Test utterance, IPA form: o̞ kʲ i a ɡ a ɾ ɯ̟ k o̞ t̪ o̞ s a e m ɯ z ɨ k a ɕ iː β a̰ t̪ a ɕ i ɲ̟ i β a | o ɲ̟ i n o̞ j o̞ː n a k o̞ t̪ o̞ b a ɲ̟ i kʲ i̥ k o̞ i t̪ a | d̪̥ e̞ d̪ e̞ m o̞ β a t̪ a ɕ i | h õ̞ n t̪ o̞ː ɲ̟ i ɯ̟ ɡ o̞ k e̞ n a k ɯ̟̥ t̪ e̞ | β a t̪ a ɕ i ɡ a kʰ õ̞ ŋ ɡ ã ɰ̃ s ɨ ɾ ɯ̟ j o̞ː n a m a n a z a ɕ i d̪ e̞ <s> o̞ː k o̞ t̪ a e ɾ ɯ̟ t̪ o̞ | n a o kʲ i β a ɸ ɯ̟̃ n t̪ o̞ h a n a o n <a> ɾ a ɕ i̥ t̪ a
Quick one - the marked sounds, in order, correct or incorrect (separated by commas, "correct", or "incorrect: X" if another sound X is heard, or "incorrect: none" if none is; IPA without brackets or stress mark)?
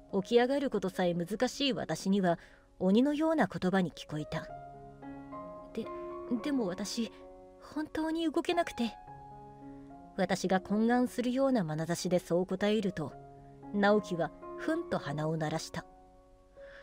correct, correct